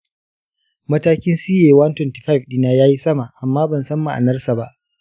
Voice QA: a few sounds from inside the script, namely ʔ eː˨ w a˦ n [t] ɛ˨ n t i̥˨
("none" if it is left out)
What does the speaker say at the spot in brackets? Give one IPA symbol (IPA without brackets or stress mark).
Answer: t